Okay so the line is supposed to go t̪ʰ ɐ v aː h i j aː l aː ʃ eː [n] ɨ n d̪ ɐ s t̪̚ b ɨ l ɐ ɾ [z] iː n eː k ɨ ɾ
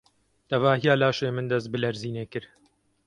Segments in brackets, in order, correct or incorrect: incorrect, correct

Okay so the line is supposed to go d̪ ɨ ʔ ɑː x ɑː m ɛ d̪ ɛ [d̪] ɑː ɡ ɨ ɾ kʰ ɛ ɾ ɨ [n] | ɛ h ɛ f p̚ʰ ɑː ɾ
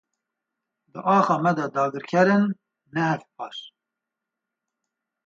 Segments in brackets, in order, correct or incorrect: correct, incorrect

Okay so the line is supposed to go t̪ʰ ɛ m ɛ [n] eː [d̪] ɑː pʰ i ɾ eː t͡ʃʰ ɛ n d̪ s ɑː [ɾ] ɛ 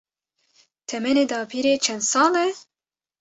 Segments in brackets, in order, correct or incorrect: correct, correct, incorrect

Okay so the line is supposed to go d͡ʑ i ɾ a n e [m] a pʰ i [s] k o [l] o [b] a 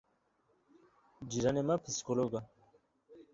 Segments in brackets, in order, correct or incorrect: correct, correct, correct, incorrect

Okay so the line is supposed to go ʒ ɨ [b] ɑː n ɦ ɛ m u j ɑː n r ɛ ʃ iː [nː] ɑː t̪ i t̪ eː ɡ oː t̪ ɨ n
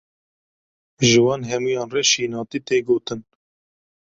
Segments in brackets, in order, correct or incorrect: incorrect, incorrect

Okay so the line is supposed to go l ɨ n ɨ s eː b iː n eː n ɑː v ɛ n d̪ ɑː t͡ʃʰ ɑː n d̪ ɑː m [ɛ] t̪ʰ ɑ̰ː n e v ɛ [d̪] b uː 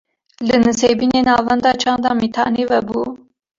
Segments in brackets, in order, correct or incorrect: incorrect, incorrect

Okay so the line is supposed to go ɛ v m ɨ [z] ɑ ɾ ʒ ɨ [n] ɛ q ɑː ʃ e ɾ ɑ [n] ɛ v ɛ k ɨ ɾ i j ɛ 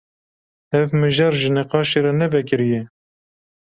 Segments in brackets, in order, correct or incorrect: incorrect, correct, correct

